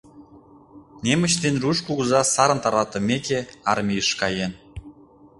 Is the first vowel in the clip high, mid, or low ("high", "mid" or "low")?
mid